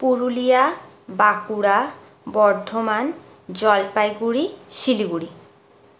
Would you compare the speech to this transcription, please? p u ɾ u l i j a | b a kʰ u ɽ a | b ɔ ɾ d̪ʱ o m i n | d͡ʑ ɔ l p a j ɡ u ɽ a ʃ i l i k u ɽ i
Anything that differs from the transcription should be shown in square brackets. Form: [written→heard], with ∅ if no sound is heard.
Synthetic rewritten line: p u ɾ u l i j a | b a [kʰ→k] u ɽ a | b ɔ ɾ d̪ʱ o m [i→a] n | d͡ʑ ɔ l p a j ɡ u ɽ [a→i] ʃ i l i [k→ɡ] u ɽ i

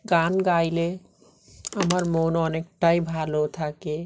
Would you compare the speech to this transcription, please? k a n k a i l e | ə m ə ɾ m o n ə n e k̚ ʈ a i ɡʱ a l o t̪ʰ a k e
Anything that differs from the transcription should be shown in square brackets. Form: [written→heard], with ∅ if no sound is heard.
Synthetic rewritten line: [k→ɡ] a n [k→ɡ] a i l e | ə m ə ɾ m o n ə n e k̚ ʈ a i [ɡʱ→bʱ] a l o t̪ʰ a k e

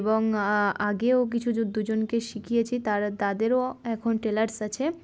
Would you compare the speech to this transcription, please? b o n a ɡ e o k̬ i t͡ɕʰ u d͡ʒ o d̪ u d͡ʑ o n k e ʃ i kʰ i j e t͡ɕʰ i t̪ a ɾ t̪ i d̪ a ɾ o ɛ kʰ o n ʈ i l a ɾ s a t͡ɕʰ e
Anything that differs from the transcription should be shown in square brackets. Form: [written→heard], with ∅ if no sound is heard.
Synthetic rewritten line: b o [n→ŋ] a ɡ e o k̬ i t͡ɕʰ u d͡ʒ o d̪ u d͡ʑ o n k e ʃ i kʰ i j e t͡ɕʰ i t̪ a ɾ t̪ [i→a] d̪ [a→e] ɾ o ɛ kʰ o n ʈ [i→e] l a ɾ s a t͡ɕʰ e

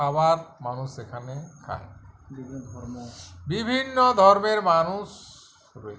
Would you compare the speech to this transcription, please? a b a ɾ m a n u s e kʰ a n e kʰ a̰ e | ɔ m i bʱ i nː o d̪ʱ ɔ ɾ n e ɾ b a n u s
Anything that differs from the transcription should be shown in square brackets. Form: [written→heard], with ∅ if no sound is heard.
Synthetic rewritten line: a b a ɾ m a n u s e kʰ a n e kʰ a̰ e | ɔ [m→b] i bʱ i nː o d̪ʱ ɔ ɾ [n→m] e ɾ [b→m] a n u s

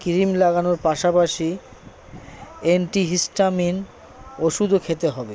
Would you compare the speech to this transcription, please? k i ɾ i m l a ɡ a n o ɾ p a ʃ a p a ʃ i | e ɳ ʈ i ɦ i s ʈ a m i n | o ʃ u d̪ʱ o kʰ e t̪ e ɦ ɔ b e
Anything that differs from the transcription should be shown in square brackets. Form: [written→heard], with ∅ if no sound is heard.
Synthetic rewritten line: k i ɾ i m l a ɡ a n o ɾ p a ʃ a p a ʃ i | e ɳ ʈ i ɦ i s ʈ a m i n | o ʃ u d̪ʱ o kʰ e t̪ e ɦ ɔ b e

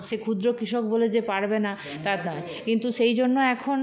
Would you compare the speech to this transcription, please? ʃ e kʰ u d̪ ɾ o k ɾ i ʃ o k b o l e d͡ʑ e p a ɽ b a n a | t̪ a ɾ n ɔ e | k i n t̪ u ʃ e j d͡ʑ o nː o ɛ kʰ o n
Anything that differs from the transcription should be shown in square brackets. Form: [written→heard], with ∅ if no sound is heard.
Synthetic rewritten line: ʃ e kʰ u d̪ ɾ o k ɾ i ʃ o k b o l e d͡ʑ e p a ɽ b [a→e] n a | t̪ a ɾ n ɔ e | k i n t̪ u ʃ e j d͡ʑ o nː o ɛ kʰ o n

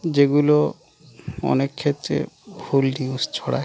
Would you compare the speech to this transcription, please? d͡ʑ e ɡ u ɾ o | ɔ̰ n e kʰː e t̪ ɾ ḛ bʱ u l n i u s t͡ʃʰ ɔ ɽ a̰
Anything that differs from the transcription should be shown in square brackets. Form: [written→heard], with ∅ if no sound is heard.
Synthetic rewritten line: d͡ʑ e ɡ u [ɾ→l] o | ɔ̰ n e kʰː e t̪ ɾ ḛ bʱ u l n i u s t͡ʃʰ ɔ ɽ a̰

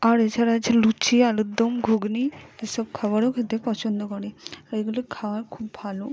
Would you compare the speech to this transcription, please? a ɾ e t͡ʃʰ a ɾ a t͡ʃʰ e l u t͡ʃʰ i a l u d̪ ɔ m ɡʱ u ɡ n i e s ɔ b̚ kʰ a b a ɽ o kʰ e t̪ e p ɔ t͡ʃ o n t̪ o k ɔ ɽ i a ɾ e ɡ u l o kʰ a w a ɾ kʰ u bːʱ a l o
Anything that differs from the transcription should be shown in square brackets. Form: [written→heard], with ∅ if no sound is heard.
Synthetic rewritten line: a ɾ e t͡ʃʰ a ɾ a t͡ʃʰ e l u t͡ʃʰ i a l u d̪ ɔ m ɡʱ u ɡ n i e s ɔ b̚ kʰ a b a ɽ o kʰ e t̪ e p ɔ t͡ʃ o n [t̪→d̪] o k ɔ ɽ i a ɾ e ɡ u l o kʰ a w a ɾ kʰ u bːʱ a l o

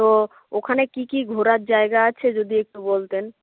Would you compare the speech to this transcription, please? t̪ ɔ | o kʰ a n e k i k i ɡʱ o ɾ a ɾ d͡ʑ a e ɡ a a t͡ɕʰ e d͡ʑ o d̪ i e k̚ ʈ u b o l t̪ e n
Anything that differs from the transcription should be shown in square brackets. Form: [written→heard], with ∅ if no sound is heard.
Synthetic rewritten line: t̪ [ɔ→o] | o kʰ a n e k i k i ɡʱ o ɾ a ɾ d͡ʑ a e ɡ a a t͡ɕʰ e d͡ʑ o d̪ i e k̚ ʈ u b o l t̪ e n

